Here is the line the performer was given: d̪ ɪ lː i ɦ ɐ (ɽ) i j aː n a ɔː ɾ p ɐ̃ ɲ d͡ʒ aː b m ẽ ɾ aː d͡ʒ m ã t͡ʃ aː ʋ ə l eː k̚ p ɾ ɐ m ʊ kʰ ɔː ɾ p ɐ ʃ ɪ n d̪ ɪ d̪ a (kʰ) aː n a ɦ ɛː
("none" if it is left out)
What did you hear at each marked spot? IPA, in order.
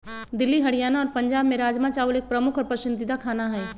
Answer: ɽ, kʰ

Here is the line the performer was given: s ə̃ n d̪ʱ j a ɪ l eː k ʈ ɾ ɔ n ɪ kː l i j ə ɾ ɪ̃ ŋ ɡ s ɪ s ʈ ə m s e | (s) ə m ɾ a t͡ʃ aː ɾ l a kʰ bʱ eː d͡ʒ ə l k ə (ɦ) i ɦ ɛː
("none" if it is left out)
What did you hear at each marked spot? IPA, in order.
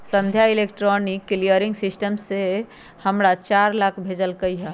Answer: h, none

